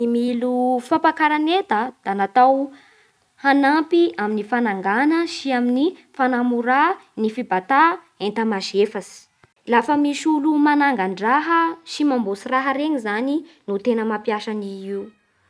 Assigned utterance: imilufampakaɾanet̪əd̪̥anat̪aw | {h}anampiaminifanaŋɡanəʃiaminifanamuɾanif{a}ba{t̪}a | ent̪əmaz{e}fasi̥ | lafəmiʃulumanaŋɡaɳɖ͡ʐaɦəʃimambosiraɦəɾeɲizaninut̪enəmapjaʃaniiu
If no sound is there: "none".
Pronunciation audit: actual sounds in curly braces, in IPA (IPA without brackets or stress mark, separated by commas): h, i, t̪, e